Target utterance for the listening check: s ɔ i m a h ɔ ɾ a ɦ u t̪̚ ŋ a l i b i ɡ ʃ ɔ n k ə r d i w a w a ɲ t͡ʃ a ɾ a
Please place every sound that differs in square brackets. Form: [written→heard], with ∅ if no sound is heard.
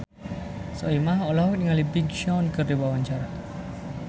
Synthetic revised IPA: s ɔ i m a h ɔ [ɾ→l] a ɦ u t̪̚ ŋ a l i b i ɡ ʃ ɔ n k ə r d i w a w a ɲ t͡ʃ a ɾ a